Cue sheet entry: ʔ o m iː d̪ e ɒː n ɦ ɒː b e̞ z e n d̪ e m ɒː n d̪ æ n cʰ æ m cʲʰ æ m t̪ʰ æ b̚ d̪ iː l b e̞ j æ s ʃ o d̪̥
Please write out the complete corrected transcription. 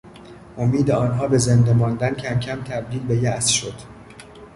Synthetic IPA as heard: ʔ o m iː d̪ e ɒː n ɦ ɒː b e̞ z e n d̪ e m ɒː n d̪ æ n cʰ æ m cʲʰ æ m t̪ʰ æ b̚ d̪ iː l b e̞ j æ s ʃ o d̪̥

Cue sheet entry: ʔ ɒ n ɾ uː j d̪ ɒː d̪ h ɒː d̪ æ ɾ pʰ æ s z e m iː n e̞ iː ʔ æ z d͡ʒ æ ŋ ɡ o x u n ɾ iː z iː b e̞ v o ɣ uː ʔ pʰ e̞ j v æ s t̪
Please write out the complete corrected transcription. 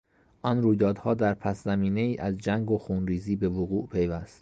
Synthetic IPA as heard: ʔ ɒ n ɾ uː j d̪ ɒː d̪ h ɒː d̪ æ ɾ pʰ æ s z æ m iː n e̞ iː ʔ æ z d͡ʒ æ ŋ ɡ o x u n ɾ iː z iː b e̞ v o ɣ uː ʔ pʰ e̞ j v æ s t̪

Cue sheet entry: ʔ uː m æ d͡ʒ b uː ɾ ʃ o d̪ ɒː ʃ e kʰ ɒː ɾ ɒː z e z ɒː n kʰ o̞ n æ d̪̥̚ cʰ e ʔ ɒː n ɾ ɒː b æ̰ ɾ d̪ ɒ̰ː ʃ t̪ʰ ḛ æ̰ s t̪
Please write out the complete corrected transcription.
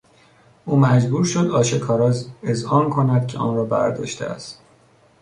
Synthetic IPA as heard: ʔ uː m æ d͡ʒ b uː ɾ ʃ o d̪ ɒː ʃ e kʰ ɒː ɾ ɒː z e z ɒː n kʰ o̞ n æ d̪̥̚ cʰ e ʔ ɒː n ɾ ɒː b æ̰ ɾ d̪ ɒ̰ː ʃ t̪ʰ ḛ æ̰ s t̪

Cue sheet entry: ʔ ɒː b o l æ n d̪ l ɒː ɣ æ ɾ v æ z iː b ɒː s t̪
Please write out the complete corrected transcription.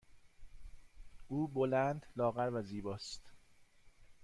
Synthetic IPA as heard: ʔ uː b o l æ n d̪ l ɒː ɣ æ ɾ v æ z iː b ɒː s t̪

